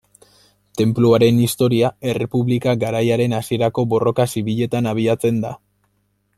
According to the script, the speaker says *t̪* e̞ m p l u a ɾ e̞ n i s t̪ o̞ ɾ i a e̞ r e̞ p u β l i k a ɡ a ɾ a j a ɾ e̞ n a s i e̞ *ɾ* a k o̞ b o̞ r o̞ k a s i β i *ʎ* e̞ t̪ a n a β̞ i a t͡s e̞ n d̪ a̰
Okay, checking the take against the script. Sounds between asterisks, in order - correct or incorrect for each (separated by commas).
correct, correct, correct